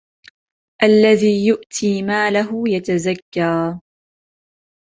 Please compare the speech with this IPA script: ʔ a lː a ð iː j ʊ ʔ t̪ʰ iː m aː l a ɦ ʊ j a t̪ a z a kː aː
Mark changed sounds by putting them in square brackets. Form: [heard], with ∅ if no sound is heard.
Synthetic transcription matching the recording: ʔ a lː a ð iː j ʊ ʔ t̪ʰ iː m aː l a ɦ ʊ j a t̪ a z a kː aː